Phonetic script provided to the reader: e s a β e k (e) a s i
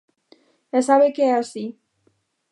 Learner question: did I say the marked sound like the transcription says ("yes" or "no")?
yes